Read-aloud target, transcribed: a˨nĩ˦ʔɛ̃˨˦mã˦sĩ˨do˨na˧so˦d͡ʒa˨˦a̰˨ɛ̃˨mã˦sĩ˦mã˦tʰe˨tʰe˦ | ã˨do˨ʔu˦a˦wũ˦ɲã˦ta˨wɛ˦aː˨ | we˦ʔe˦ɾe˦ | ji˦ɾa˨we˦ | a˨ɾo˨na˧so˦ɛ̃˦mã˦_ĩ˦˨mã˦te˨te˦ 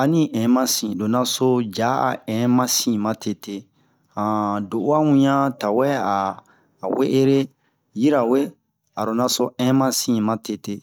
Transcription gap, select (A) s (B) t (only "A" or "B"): A